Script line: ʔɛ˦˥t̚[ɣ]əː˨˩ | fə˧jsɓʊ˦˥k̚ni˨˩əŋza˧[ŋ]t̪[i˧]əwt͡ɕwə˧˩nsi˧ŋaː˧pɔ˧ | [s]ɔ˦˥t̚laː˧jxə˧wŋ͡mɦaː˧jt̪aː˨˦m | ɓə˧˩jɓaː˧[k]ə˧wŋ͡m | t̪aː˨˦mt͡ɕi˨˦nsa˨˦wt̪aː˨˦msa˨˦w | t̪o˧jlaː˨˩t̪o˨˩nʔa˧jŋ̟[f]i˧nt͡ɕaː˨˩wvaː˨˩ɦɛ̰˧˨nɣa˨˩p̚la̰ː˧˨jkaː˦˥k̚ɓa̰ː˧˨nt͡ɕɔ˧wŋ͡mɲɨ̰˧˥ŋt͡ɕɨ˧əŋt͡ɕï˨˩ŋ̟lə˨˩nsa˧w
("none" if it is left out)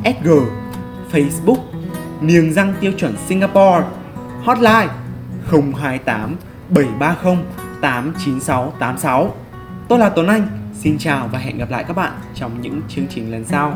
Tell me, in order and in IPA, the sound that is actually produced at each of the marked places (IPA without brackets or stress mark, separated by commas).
ɣ, ŋ, i˧, h, x, s